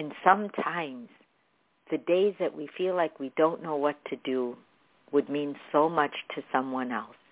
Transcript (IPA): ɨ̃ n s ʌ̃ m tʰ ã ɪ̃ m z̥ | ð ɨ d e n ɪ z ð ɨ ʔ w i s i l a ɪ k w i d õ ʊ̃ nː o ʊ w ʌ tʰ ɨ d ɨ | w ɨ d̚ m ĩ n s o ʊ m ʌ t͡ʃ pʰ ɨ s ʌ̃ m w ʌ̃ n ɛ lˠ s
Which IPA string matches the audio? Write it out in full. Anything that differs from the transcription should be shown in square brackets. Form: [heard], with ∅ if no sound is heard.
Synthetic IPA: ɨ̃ n s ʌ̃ m tʰ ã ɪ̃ m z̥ | ð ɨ d e [∅] ɪ z ð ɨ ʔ w i [f] i l a ɪ k w i d õ ʊ̃ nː o ʊ w ʌ tʰ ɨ d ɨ | w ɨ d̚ m ĩ n s o ʊ m ʌ t͡ʃ [tʰ] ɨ s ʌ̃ m w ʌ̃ n ɛ lˠ s